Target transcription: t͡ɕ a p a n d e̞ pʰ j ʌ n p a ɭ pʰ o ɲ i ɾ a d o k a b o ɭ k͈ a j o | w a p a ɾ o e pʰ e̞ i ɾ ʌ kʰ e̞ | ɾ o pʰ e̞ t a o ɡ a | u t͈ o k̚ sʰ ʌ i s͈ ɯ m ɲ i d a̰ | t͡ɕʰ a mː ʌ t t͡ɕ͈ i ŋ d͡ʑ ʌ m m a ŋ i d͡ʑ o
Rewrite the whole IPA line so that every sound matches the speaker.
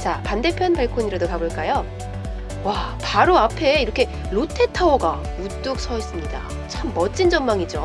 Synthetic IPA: t͡ɕ a p a n d e̞ pʰ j ʌ n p a ɭ kʰ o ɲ i ɾ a d o k a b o ɭ k͈ a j o | w a p a ɾ o a pʰ e̞ i ɾ ʌ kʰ e̞ | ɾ o tʰ e̞ tʰ a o ɡ a | u t͈ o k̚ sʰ ʌ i s͈ ɯ m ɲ i d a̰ | t͡ɕʰ a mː ʌ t t͡ɕ͈ i n d͡ʑ ʌ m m a ŋ i d͡ʑ o